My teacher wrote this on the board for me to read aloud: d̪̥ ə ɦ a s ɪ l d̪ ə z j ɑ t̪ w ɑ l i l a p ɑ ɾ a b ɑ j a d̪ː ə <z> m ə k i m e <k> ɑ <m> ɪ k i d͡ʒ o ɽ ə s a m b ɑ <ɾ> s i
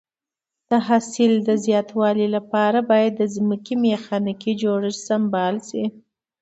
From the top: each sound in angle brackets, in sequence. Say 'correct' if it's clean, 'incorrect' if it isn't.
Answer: correct, incorrect, incorrect, incorrect

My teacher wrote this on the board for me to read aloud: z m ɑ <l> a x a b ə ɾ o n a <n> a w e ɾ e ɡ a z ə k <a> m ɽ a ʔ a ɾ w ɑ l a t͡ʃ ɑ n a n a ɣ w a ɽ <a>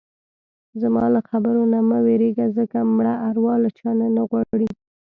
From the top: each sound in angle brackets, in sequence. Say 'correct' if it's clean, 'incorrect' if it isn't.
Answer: correct, incorrect, correct, incorrect

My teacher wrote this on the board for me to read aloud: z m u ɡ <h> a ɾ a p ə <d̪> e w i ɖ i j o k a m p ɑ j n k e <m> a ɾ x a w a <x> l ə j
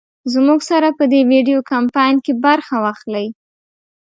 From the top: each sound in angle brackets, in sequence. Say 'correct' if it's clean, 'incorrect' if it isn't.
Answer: incorrect, correct, incorrect, correct

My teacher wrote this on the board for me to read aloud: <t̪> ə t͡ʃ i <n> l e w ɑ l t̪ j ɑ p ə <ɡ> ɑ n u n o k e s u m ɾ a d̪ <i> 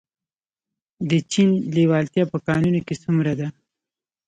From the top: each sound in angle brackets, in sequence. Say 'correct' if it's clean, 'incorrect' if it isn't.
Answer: incorrect, correct, incorrect, incorrect

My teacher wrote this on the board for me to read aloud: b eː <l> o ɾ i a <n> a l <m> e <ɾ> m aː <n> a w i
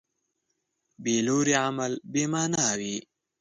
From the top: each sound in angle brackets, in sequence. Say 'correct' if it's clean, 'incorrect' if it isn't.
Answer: correct, incorrect, incorrect, incorrect, correct

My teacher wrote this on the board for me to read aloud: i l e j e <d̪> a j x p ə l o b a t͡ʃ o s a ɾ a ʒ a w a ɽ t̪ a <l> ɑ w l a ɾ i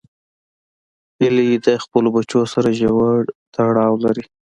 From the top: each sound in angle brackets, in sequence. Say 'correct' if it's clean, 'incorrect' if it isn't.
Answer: correct, incorrect

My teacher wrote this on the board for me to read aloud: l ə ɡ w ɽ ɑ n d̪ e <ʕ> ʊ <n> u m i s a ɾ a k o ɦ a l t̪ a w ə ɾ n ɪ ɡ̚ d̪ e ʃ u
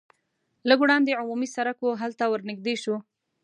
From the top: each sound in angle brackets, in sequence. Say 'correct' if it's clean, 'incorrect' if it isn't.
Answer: correct, incorrect

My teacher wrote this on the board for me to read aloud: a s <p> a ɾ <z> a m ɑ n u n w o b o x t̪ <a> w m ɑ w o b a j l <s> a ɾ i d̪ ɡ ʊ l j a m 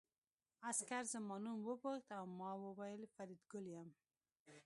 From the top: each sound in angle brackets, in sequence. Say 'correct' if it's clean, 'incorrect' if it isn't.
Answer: incorrect, correct, correct, incorrect

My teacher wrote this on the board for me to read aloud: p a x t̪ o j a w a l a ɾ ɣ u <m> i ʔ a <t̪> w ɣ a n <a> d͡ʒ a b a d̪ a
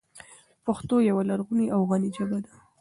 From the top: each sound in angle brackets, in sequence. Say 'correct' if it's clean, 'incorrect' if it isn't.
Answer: incorrect, incorrect, incorrect

